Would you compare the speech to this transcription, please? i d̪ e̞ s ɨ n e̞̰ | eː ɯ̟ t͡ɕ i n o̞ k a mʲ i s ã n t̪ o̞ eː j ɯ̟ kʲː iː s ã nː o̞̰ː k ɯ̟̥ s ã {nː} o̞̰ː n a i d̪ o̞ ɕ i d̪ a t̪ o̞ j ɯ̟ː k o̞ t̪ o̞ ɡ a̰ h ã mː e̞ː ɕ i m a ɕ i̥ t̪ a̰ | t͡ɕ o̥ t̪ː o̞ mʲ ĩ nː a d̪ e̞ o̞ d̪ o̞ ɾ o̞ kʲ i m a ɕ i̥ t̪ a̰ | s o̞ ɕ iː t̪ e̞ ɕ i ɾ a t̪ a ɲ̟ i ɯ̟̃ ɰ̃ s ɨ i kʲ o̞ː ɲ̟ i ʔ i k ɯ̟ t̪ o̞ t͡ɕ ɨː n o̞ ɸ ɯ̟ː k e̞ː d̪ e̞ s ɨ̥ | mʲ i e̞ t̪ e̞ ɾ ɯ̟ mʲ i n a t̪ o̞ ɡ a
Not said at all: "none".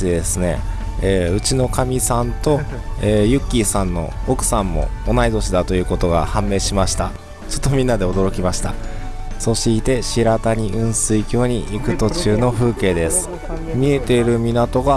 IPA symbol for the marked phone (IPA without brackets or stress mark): mː